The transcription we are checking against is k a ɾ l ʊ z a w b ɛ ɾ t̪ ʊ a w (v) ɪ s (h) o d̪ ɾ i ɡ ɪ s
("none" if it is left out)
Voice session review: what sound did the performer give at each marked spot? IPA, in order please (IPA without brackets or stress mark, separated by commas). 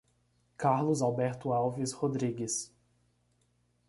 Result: v, h